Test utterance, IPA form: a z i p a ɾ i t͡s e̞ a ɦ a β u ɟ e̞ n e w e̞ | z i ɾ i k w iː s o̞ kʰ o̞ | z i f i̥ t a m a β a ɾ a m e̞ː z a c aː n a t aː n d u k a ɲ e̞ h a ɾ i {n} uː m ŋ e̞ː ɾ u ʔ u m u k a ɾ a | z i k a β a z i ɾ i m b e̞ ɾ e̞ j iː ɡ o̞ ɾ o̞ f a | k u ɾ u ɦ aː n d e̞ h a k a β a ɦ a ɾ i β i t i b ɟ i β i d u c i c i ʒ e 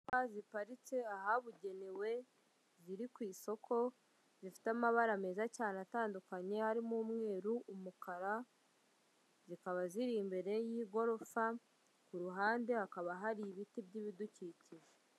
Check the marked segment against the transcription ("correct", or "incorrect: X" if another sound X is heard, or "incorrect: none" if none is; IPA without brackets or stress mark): incorrect: m